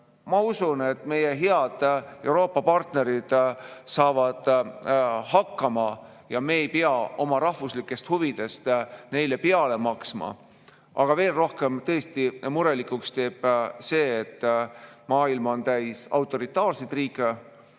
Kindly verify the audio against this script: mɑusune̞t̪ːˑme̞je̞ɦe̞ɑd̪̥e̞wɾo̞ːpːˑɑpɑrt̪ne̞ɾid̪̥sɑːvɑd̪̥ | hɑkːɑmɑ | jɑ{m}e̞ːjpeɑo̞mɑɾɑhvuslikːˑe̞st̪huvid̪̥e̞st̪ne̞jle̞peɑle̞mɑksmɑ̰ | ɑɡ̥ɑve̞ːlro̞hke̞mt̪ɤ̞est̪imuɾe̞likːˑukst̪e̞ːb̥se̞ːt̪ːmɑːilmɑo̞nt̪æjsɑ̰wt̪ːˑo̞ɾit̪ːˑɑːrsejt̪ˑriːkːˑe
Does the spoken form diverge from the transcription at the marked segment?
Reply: no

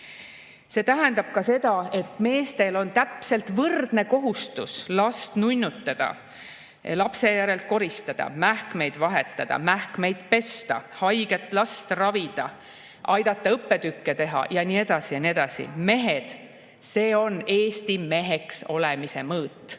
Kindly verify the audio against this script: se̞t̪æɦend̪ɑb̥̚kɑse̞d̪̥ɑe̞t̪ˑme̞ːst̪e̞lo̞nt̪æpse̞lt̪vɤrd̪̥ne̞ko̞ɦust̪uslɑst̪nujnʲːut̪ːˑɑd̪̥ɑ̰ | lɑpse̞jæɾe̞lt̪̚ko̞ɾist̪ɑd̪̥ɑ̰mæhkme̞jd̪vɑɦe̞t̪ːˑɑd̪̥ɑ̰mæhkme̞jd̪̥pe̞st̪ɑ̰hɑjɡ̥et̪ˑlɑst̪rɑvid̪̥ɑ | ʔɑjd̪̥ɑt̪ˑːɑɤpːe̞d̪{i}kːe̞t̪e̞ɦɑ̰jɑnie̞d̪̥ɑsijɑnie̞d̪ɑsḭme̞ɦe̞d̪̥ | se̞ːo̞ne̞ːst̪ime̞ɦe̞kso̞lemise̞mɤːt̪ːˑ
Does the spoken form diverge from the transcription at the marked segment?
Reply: yes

